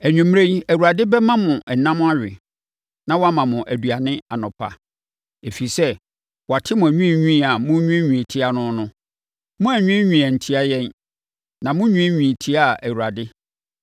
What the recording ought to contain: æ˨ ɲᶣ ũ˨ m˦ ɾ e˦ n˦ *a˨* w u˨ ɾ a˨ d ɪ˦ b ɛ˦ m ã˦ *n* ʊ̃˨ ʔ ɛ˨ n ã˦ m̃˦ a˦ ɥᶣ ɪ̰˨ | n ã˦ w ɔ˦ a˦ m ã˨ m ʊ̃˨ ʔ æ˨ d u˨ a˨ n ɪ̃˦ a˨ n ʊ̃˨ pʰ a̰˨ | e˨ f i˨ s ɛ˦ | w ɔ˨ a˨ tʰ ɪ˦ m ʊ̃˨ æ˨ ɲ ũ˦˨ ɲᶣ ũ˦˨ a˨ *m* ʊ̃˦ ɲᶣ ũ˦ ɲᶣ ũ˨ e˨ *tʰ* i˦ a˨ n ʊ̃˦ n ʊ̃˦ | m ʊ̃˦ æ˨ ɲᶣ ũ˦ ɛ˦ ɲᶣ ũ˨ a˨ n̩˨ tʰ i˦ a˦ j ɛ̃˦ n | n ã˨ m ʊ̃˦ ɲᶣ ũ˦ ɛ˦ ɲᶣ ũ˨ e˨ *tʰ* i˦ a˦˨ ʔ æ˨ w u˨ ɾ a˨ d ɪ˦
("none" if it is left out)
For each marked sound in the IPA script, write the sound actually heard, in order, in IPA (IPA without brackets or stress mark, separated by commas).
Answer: æ˨, m, m, tʰ, tʰ